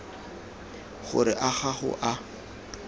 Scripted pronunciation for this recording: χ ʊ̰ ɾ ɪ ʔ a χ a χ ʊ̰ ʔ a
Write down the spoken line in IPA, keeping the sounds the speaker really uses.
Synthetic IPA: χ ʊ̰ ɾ ɪ ʔ a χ a χ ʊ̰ ʔ a